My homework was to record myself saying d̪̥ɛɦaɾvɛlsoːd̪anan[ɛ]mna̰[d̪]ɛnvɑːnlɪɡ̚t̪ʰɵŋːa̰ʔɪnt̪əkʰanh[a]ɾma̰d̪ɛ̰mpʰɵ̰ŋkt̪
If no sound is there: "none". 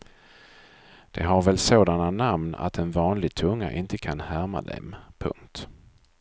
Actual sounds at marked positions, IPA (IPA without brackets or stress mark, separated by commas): a, t̪, æ